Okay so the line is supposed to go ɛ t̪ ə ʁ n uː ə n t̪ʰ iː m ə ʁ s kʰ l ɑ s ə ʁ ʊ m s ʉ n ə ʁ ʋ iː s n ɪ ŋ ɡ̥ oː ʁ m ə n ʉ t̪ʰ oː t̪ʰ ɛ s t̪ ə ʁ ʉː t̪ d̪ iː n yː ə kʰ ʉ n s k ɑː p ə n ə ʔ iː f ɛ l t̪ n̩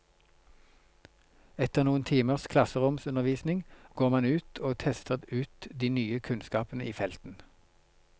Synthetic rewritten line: ɛ t̪ ə ʁ n uː ə n t̪ʰ iː m ə ʁ s kʰ l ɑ s ə ʁ ʊ m s ʉ n ə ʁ ʋ iː s n ɪ ŋ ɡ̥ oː ʁ m ɑ n ʉː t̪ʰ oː t̪ʰ ɛ s t̪ ə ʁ ʉː t̪ d̪ iː n yː ə kʰ ʉ n s k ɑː p ə n ə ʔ iː f ɛ l t̪ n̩